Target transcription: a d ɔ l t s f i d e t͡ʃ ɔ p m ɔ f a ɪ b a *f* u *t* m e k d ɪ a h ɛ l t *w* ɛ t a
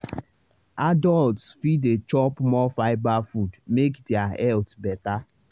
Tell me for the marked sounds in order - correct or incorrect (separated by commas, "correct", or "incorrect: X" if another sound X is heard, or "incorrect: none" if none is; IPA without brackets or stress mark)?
correct, incorrect: d, incorrect: b